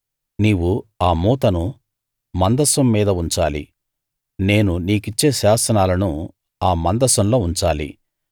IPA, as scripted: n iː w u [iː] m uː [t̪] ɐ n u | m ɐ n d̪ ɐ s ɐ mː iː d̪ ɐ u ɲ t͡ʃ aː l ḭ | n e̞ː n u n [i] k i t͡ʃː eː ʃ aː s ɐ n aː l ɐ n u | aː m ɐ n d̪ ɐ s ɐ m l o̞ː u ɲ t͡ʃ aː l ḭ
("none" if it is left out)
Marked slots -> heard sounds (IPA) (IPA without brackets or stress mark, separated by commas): aː, t̪, iː